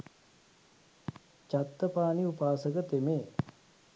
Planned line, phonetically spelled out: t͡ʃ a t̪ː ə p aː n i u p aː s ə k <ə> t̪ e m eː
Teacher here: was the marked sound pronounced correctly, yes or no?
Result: yes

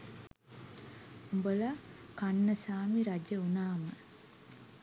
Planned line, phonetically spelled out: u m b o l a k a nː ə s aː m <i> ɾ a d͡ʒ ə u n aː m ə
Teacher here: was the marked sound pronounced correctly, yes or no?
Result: yes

